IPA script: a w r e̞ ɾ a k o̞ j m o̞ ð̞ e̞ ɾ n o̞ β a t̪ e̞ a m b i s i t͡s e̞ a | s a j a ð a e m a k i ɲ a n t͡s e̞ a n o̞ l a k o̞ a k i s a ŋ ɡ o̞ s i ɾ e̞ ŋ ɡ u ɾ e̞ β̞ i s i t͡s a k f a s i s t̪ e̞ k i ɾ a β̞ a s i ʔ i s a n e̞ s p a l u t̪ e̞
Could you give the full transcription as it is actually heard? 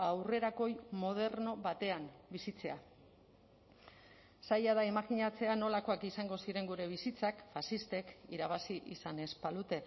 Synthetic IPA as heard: a w r e̞ ɾ a k o̞ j m o̞ ð̞ e̞ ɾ n o̞ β a t̪ e̞ a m b i s i t͡s e̞ a | s a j a ð a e m a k i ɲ a t͡s e̞ a n o̞ l a k o̞ a k i s a ŋ ɡ o̞ s i ɾ e̞ ŋ ɡ u ɾ e̞ β̞ i s i t͡s a k f a s i s t̪ e̞ k i ɾ a β̞ a s i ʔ i s a n e̞ s p a l u t̪ e̞